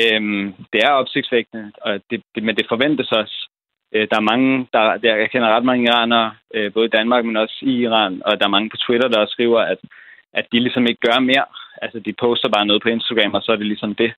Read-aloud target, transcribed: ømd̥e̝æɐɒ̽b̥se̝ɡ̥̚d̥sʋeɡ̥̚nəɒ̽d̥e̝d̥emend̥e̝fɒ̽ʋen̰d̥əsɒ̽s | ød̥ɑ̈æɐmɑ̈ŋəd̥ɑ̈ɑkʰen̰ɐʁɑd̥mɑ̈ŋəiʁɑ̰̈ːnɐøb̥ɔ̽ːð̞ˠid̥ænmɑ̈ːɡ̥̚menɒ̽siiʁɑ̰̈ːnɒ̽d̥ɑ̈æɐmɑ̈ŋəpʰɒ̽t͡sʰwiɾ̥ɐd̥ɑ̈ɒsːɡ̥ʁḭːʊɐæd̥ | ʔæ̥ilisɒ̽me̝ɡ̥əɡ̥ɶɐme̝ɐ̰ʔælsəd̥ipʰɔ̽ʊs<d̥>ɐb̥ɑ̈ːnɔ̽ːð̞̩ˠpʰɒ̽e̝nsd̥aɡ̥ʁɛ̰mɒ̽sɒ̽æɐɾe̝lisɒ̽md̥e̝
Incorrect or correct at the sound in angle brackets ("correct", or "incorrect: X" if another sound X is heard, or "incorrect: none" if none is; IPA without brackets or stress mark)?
correct